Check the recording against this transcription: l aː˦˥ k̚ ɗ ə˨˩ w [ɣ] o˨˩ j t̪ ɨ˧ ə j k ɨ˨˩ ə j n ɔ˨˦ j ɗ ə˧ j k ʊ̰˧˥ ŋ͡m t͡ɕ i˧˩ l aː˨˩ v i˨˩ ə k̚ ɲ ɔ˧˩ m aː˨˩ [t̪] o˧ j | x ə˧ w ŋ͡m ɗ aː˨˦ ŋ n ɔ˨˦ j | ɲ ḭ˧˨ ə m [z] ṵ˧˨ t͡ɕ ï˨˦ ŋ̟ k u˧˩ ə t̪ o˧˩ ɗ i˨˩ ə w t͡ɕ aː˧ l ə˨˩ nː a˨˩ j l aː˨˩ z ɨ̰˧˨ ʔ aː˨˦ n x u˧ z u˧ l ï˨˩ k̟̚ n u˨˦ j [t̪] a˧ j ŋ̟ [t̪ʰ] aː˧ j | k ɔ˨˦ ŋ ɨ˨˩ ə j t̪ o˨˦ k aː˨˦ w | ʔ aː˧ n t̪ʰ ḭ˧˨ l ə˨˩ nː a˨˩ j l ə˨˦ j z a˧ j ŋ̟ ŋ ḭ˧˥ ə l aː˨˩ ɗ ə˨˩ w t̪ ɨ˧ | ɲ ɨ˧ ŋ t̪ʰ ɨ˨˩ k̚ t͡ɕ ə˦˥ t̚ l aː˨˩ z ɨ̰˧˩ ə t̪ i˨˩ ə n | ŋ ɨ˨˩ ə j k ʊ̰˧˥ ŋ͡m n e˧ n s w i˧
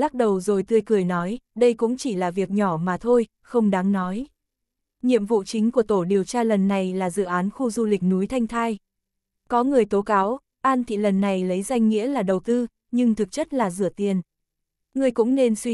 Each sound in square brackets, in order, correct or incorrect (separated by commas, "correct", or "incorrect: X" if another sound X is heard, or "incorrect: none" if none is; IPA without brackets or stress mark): incorrect: z, incorrect: t̪ʰ, incorrect: v, incorrect: t̪ʰ, correct